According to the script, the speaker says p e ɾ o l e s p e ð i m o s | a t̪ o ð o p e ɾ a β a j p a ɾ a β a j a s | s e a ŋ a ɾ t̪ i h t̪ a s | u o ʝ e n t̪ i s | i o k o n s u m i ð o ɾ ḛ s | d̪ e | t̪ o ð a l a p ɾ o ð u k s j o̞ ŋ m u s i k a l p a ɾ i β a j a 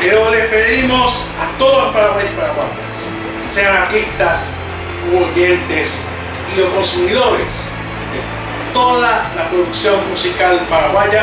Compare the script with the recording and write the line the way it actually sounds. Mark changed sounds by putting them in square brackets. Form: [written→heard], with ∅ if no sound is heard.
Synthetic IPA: p e ɾ o l e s p e ð i m o s | a t̪ o ð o p [e→a] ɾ a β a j p a ɾ a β a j a s | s e a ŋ a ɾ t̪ i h t̪ a s | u o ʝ e n t̪ [i→e] s | i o k o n s u m i ð o ɾ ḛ s | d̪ e | t̪ o ð a l a p ɾ o ð u k s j o̞ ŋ m u s i k a l p a ɾ [i→a] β a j a